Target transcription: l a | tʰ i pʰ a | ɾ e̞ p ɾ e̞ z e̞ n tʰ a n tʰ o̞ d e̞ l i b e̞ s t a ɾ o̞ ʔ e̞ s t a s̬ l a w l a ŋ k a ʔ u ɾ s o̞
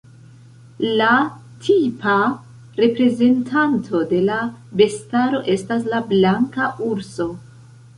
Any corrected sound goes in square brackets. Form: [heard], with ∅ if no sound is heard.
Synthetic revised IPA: l a | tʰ i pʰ a | ɾ e̞ p ɾ e̞ z e̞ n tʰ a n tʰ o̞ d e̞ l [a] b e̞ s t a ɾ o̞ ʔ e̞ s t a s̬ l a [b] l a ŋ k a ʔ u ɾ s o̞

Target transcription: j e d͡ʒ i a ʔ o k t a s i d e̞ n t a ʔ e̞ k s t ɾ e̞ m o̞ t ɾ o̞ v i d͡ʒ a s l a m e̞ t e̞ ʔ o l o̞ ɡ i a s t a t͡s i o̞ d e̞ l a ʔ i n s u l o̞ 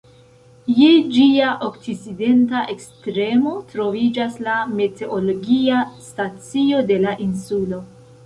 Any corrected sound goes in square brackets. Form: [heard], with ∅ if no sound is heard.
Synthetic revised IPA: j e d͡ʒ i a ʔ o k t [i] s i d e̞ n t a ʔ e̞ k s t ɾ e̞ m o̞ t ɾ o̞ v i d͡ʒ a s l a m e̞ t e̞ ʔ o l o̞ ɡ i a s t a t͡s i o̞ d e̞ l a ʔ i n s u l o̞

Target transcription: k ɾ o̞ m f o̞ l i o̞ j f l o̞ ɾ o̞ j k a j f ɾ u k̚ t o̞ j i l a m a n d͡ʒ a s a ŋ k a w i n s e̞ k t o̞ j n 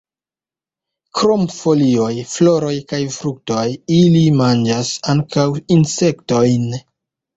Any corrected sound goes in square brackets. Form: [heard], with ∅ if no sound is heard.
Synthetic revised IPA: k ɾ o̞ m f o̞ l i o̞ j f l o̞ ɾ o̞ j k a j f ɾ u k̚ t o̞ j i l [i] m a n d͡ʒ a s a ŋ k a w i n s e̞ k t o̞ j n

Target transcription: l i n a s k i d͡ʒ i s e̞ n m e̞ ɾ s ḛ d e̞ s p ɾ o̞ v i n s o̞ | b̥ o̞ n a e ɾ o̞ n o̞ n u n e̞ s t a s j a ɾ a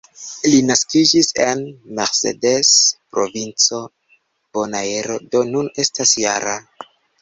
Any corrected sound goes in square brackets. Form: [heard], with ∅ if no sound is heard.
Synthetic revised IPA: l i n a s k i d͡ʒ i s e̞ n m e̞ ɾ s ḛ d e̞ s p ɾ o̞ v i n [t͡s] o̞ | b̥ o̞ n a e ɾ o̞ [d] o̞ n u n e̞ s t a s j a ɾ a

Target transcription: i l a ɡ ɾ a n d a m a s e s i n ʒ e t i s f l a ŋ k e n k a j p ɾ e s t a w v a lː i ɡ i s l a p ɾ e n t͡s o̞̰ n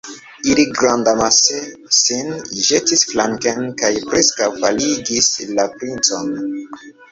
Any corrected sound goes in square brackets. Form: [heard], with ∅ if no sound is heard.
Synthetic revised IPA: i l [i] ɡ ɾ a n d a m a s e s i n ʒ e t i s f l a ŋ k e n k a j p ɾ e s [k] a w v a [l] i ɡ i s l a p ɾ [i] n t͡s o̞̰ n

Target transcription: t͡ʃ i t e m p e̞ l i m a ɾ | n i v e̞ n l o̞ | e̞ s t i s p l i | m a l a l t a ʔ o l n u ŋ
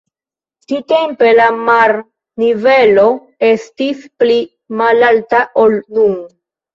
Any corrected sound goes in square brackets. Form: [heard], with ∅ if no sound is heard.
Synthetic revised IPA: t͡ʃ i t e m p e̞ l [a] m a ɾ | n i v e̞ [∅] l o̞ | e̞ s t i s p l i | m a l a l t a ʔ o l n u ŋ

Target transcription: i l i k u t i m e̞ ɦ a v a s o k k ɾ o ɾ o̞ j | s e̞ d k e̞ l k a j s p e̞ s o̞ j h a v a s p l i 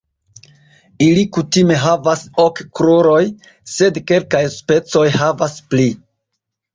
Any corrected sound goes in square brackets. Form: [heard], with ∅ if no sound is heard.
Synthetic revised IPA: i l i k u t i m e̞ ɦ a v a s o k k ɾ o ɾ o̞ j | s e̞ d k e̞ l k a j s p e̞ [t͡s] o̞ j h a v a s p l i

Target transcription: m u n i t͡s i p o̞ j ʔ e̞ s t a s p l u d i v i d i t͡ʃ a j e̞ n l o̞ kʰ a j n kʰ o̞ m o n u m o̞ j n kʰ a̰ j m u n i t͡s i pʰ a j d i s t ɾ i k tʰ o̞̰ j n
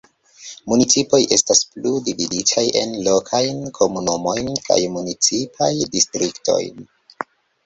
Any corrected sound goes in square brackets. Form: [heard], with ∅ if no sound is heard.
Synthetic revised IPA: m u n i t͡s i p o̞ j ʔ e̞ s t a s p l u d i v i d i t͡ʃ a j e̞ n l o̞ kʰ a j n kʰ o̞ m [u] n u m o̞ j n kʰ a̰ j m u n i t͡s i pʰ a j d i s t ɾ i k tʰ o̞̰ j n

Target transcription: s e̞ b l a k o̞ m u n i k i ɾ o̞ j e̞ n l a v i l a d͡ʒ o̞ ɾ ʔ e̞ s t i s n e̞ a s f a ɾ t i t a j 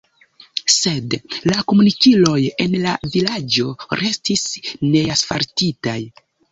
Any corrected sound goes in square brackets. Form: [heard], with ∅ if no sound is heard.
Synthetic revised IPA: s e̞ [d] l a k o̞ m u n i k i [l] o̞ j e̞ n l a v i l a d͡ʒ o̞ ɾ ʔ e̞ s t i s n e̞ a s f a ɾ t i t a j

